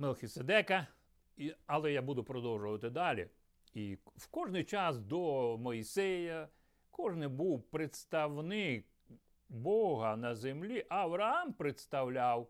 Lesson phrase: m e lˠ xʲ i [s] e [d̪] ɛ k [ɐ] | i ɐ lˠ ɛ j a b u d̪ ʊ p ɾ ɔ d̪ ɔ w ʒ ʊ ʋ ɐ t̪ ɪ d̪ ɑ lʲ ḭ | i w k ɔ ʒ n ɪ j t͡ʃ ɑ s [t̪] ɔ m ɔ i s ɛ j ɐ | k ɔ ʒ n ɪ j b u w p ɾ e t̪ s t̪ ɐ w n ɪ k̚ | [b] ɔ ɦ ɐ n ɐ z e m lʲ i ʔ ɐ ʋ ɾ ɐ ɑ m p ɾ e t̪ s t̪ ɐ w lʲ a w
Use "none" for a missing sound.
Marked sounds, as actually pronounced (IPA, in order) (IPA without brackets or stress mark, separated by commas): s, d̪, ɐ, d̪, b